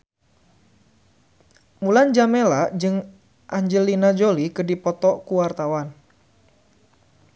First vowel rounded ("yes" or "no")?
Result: yes